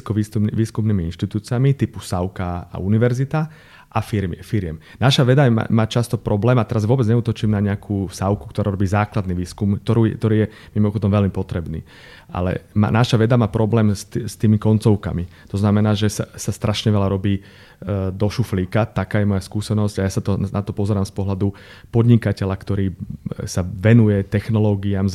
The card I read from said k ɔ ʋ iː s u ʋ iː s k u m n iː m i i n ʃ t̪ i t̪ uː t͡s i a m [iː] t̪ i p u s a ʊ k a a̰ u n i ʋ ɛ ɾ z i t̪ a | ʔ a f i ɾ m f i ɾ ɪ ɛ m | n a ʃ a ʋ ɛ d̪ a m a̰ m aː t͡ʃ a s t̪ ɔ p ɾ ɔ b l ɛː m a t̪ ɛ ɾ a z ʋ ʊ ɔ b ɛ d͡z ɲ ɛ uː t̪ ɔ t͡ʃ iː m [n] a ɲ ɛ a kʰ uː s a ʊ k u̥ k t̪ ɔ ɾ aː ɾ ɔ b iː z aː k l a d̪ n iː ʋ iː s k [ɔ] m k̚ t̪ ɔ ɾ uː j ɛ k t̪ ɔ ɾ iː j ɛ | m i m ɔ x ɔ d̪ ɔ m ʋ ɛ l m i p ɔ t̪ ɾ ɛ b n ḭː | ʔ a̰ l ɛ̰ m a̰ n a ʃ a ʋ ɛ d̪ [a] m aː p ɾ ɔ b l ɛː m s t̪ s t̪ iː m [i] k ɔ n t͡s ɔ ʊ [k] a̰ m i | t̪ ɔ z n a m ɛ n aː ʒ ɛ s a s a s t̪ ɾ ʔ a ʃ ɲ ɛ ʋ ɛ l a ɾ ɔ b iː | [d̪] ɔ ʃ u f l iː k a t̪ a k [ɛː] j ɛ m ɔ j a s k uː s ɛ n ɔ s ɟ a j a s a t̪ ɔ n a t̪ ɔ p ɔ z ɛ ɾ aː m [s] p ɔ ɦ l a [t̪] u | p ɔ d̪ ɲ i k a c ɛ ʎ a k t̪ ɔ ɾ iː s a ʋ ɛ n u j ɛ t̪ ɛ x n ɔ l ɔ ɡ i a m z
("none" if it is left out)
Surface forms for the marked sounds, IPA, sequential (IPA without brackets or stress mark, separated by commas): i, n, u, a, i, k, d̪, aː, s, d̪